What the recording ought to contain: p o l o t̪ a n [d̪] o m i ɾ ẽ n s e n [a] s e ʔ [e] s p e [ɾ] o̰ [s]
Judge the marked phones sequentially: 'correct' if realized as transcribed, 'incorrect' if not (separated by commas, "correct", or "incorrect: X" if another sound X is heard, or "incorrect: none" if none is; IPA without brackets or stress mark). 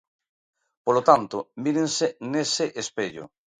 incorrect: t̪, incorrect: e, correct, incorrect: ʎ, incorrect: none